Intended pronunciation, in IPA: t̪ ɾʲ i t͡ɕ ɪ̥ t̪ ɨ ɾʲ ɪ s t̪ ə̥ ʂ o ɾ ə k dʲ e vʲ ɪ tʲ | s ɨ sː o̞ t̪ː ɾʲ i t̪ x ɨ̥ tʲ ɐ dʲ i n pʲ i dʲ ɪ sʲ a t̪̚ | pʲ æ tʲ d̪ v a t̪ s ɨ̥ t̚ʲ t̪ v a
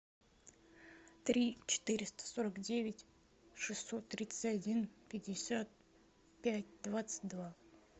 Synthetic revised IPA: t̪ ɾʲ i t͡ɕ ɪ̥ t̪ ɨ ɾʲ ɪ s t̪ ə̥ s o ɾ ə k dʲ e vʲ ɪ tʲ | ʂ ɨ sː o̞ t̪ː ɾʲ i t̪ s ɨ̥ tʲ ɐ dʲ i n pʲ ɪ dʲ ɪ sʲ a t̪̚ | pʲ æ tʲ d̪ v a t̪ s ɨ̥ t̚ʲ d̪ v a

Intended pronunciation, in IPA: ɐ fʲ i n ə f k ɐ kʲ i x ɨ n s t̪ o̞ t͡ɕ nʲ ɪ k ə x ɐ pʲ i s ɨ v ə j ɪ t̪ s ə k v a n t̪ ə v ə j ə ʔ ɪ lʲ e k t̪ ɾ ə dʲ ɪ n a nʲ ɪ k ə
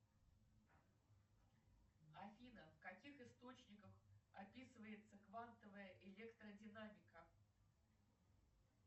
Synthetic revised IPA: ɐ fʲ i n ə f k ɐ kʲ i x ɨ s t̪ o̞ t͡ɕ nʲ ɪ k ə x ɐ pʲ i s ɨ v ə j ɪ t̪ s ə k v a n t̪ ə v ə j ə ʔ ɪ lʲ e k t̪ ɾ ə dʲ ɪ n a mʲ ɪ k ə

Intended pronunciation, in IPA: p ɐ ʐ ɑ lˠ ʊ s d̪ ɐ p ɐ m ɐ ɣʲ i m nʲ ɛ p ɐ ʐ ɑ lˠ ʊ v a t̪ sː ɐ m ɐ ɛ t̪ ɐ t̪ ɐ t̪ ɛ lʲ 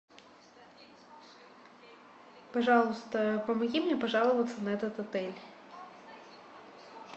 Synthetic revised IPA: p ɐ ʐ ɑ lˠ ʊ s t̪ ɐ p ɐ m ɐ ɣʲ i m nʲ ɛ p ɐ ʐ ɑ lˠ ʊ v ɐ t̪ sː ɐ n ɐ ɛ t̪ ɐ t̪ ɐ t̪ ɛ lʲ

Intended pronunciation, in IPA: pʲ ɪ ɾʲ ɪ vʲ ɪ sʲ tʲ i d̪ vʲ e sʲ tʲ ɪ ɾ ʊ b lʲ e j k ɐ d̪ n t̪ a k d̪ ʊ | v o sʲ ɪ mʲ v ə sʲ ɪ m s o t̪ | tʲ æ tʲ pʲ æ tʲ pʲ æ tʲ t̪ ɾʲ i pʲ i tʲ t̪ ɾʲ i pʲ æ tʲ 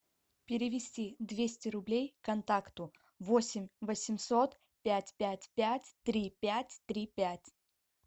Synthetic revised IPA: pʲ ɪ ɾʲ ɪ vʲ ɪ sʲ tʲ i d̪ vʲ e sʲ tʲ ɪ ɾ ʊ b lʲ e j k ɐ n t̪ a k t̪ ʊ | v o sʲ ɪ mʲ v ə sʲ ɪ m s o t̪ | pʲ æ tʲ pʲ æ tʲ pʲ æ tʲ t̪ ɾʲ i pʲ æ tʲ t̪ ɾʲ i pʲ æ tʲ

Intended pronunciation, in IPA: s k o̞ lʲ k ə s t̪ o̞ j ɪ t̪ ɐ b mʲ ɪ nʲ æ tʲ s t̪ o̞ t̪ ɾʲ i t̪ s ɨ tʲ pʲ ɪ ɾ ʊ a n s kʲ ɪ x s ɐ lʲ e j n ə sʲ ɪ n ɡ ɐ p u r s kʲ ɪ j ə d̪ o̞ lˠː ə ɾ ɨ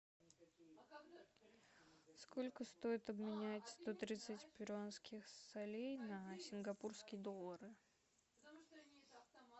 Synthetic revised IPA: s k o̞ lʲ k ə s t̪ o̞ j ɪ t̪ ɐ b mʲ ɪ nʲ æ tʲ s t̪ o̞ t̪ ɾʲ i t̪ s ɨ tʲ pʲ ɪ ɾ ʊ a n s kʲ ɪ x s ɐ lʲ e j n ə sʲ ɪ n ɡ ɐ p u r s kʲ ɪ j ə d̪ o̞ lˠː ə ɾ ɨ

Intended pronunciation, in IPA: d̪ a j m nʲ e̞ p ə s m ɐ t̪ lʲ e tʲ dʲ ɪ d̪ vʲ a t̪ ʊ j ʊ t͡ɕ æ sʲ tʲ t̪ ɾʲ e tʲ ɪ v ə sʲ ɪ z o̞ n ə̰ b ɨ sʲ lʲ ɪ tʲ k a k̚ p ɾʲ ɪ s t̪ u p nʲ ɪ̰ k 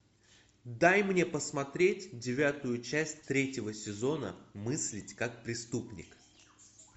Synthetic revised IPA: d̪ a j m nʲ e̞ p ə s m ɐ t̪ ɾʲ e tʲ dʲ ɪ vʲ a t̪ ʊ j ʊ t͡ɕ æ sʲ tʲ t̪ ɾʲ e tʲ ɪ v ə sʲ ɪ z o̞ n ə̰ m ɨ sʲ lʲ ɪ tʲ k a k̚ p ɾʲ ɪ s t̪ u p nʲ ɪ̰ k

